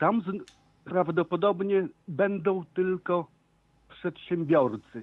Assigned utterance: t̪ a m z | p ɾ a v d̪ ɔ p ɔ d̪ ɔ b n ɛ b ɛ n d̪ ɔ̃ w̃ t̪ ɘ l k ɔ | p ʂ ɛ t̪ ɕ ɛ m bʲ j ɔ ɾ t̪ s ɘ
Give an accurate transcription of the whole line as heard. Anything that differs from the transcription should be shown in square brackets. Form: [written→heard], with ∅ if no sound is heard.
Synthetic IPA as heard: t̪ a m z | p ɾ a v d̪ ɔ p ɔ d̪ ɔ b [n→ɲ] ɛ b ɛ n d̪ ɔ̃ w̃ t̪ ɘ l k ɔ | p ʂ ɛ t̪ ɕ ɛ m bʲ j ɔ ɾ t̪ s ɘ